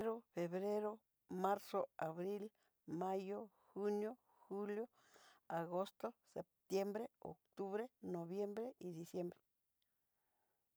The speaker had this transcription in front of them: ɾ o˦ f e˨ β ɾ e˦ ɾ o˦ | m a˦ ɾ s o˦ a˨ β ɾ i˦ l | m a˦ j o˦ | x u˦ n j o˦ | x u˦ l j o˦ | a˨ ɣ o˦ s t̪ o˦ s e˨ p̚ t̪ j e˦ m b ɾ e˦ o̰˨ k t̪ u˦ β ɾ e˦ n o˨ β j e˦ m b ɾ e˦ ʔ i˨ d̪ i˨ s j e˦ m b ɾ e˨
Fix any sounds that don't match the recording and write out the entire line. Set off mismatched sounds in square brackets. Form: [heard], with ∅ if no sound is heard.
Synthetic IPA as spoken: ɾ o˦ f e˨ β ɾ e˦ ɾ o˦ | m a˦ ɾ s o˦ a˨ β ɾ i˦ l | m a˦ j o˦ | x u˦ n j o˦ | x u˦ l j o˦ | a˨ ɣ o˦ s t̪ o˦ s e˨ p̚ t̪ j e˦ m b ɾ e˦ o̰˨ k t̪ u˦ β ɾ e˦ n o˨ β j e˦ m b ɾ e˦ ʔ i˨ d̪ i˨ s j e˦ m b ɾ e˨